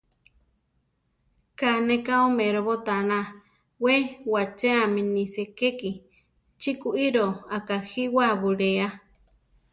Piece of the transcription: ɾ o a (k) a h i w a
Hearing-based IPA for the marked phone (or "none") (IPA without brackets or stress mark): k